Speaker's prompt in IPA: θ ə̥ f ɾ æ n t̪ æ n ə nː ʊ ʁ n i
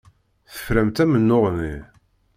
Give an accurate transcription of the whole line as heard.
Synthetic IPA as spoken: θ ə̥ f ɾ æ m t̪ æ m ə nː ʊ ʁ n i